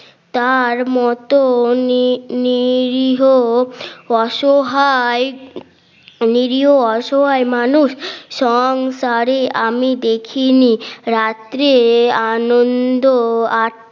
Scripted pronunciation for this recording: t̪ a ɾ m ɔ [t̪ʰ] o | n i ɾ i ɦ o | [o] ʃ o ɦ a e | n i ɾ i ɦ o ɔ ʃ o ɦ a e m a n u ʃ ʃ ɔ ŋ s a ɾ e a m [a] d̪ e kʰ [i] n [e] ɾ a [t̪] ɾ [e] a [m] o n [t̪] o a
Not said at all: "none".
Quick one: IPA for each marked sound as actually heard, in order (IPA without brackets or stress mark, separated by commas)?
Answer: t̪, ɔ, i, i, i, t̪, e, n, d̪